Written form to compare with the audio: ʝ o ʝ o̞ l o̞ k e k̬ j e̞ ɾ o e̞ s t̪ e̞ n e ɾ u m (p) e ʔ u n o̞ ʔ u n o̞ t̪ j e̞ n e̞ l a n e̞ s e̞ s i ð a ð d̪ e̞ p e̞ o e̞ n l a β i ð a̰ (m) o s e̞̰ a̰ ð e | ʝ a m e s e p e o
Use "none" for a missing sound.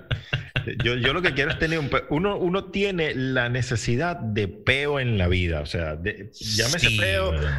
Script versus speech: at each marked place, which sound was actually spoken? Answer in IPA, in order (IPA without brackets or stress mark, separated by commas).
p, none